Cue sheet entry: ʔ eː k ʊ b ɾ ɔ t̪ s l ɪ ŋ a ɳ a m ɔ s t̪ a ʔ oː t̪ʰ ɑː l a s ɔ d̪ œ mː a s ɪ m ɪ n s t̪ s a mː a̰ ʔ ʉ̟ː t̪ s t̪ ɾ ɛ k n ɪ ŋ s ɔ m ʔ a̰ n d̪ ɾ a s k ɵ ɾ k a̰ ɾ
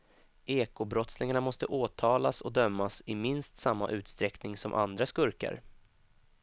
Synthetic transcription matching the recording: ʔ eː k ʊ b ɾ ɔ t̪ s l ɪ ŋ a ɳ a m ɔ s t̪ ə ʔ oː t̪ʰ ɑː l a s ɔ d̪ œ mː a s ɪ m ɪ n s t̪ s a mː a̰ ʔ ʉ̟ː t̪ s t̪ ɾ ɛ k n ɪ ŋ s ɔ m ʔ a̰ n d̪ ɾ a s k ɵ ɾ k a̰ ɾ